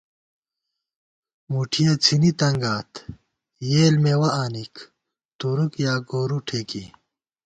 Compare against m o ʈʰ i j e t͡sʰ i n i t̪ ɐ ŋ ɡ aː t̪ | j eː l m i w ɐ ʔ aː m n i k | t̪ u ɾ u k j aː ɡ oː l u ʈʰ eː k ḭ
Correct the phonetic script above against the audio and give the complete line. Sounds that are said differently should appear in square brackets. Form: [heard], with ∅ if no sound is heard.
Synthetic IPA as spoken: m [u] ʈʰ i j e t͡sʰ i n i t̪ ɐ ŋ ɡ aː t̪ | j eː l m [e] w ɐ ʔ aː [∅] n i k | t̪ u ɾ u k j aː ɡ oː [ɾ] u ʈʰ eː k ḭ